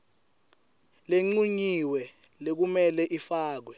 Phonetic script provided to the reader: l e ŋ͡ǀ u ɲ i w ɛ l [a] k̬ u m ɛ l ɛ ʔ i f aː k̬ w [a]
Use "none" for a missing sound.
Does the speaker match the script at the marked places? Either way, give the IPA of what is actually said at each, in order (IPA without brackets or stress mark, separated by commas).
e, ɛ